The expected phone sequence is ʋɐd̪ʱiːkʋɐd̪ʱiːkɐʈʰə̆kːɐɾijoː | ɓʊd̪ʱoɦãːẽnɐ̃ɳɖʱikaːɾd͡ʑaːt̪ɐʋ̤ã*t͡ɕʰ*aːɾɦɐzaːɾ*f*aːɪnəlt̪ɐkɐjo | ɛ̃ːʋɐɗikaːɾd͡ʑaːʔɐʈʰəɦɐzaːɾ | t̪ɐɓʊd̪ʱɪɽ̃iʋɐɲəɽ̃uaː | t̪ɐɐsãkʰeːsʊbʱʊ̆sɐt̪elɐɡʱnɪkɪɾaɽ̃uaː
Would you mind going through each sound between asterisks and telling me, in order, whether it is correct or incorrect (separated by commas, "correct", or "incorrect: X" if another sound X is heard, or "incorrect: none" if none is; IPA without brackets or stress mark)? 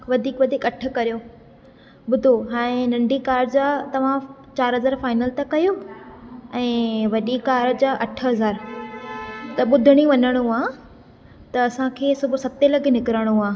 incorrect: t͡ɕ, correct